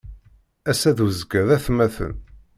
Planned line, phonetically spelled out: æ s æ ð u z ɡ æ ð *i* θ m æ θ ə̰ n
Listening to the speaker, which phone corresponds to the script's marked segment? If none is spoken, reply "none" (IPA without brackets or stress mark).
æ